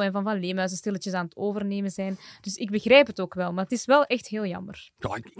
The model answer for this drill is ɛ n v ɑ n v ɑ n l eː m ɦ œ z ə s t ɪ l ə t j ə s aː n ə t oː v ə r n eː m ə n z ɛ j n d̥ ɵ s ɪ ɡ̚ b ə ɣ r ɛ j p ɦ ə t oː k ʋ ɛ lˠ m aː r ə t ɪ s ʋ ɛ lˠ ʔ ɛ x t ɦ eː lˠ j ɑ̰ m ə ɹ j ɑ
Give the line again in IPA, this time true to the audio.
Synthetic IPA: ɛ n v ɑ n v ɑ n l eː m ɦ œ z ə s t ɪ l ə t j ə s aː n ə t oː v ə r n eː m ə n z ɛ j n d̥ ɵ s ɪ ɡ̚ b ə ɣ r ɛ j p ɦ ə t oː k ʋ ɛ lˠ m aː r ə t ɪ s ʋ ɛ lˠ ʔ ɛ x t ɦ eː lˠ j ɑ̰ m ə r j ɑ